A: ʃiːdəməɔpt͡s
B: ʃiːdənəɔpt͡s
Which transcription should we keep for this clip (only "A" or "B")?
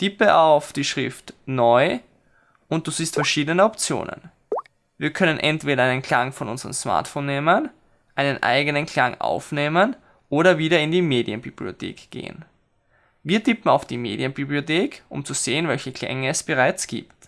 B